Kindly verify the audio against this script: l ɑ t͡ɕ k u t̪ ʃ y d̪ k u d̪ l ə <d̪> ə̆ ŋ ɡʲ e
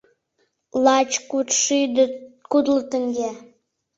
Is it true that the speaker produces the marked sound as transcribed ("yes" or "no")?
no